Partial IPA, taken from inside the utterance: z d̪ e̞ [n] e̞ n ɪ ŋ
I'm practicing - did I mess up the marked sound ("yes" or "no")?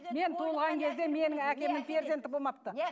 yes